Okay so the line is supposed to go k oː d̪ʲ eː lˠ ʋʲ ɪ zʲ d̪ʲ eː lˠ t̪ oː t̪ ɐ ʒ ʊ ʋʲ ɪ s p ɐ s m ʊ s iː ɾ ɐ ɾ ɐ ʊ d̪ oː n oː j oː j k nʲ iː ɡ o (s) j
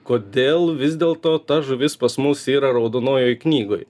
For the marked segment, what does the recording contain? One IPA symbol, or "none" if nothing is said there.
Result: none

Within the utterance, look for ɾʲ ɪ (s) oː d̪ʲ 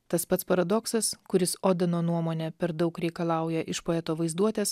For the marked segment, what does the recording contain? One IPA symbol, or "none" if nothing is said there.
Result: s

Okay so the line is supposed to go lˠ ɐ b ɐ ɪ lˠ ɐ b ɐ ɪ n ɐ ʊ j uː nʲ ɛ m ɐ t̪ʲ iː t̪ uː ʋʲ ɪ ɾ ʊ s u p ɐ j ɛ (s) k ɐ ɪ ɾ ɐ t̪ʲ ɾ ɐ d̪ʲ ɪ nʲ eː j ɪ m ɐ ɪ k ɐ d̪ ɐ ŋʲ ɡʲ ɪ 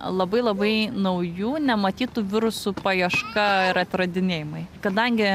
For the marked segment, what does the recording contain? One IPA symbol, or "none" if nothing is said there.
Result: ʃ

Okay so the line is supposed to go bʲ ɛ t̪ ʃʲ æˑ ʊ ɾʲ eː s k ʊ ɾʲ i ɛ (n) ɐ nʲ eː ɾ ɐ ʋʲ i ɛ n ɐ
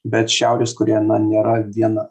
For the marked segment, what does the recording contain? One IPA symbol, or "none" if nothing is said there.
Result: n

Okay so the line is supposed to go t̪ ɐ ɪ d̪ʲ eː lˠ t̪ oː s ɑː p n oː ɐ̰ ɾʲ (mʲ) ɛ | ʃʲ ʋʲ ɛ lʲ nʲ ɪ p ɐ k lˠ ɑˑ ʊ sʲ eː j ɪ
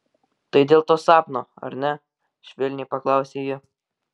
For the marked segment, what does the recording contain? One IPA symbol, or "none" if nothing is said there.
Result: nʲ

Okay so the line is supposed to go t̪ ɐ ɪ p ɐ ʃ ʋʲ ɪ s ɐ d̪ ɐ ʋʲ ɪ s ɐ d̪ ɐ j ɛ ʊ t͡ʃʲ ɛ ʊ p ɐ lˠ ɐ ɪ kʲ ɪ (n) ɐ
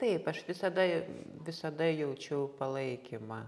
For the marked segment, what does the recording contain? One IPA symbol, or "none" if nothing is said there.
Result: m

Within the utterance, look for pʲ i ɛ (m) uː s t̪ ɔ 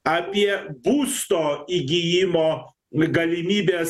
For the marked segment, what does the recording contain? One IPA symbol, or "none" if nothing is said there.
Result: b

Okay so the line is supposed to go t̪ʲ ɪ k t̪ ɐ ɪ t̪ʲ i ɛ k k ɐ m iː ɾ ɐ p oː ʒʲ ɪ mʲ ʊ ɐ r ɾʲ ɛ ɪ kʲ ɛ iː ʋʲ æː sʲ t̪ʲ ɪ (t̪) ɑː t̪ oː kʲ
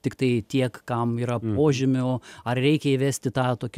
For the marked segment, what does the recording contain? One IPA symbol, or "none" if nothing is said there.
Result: t̪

